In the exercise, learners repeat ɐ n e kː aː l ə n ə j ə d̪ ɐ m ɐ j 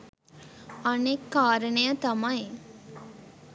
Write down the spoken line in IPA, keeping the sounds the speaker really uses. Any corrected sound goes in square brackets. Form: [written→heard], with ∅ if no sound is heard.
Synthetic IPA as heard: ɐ n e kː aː [l→ɾ] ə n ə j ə [d̪→t̪] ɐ m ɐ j